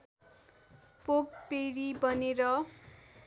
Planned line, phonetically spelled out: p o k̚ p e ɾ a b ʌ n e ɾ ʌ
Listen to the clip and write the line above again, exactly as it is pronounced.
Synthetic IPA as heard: p o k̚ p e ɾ i b ʌ n e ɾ ʌ